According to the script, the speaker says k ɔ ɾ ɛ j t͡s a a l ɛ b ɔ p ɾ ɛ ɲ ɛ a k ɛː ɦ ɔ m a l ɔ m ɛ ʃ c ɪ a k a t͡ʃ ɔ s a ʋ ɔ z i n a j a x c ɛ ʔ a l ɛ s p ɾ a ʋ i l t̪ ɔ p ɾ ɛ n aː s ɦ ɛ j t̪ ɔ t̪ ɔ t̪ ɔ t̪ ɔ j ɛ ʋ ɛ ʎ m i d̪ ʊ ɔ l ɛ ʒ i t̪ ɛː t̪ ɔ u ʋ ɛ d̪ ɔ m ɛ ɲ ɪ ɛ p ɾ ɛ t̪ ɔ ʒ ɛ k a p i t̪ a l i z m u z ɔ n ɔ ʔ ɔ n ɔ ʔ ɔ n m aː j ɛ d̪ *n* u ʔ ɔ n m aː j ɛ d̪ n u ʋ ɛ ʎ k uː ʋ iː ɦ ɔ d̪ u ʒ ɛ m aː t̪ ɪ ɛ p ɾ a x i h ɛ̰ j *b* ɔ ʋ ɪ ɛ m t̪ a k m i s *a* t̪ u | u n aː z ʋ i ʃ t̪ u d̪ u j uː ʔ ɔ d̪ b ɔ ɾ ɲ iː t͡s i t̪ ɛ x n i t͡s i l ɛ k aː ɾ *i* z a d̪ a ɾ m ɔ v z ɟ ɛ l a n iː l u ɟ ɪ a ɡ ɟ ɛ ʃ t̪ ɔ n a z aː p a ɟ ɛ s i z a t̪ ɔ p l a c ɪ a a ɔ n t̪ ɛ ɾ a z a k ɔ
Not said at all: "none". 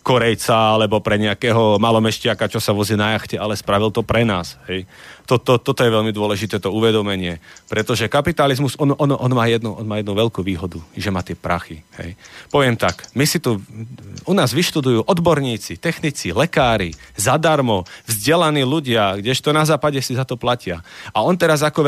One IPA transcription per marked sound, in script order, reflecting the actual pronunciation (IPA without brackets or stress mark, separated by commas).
n, p, i, i